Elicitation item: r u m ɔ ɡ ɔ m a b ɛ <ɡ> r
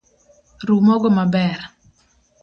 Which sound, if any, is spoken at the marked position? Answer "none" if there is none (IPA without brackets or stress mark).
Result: none